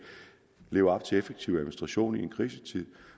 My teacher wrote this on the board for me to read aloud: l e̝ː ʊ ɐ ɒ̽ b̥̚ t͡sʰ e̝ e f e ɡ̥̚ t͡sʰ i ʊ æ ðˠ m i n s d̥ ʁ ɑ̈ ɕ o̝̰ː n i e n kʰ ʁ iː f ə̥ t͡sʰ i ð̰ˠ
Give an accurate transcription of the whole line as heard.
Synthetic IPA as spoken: l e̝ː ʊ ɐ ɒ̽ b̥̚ t͡sʰ e̝ e f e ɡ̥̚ t͡sʰ i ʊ æ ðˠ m i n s d̥ ʁ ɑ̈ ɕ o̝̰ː n i e n kʰ ʁ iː s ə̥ t͡sʰ i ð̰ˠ